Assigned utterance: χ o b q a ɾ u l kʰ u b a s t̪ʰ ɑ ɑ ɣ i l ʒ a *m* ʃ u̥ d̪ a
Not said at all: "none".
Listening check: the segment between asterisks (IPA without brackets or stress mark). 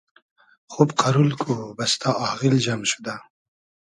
m